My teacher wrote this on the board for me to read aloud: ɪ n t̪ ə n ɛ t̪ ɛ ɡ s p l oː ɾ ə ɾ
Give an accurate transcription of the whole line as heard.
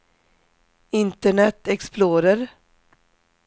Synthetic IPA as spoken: ɪ n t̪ ə ɳ ɛ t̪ ɛ k s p l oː ɾ ə ɾ